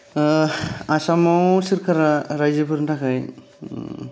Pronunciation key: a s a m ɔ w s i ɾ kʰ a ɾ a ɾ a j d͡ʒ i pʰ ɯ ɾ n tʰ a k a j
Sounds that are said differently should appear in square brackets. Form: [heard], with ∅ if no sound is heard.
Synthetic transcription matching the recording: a s a m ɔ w s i ɾ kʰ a ɾ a ɾ a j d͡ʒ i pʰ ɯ ɾ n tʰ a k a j